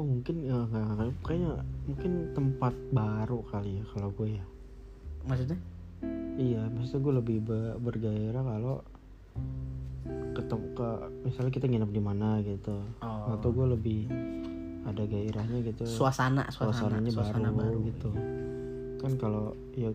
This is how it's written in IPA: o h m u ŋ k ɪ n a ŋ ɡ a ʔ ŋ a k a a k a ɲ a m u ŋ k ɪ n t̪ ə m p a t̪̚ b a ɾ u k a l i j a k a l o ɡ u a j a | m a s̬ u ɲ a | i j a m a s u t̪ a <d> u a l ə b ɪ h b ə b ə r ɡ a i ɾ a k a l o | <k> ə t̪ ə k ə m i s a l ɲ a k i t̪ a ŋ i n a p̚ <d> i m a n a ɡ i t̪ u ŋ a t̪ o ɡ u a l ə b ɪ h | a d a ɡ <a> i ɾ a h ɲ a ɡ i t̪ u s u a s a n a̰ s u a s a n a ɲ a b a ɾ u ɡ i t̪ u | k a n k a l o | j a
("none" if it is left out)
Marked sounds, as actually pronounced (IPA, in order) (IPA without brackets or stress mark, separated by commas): ɡ, k, d, a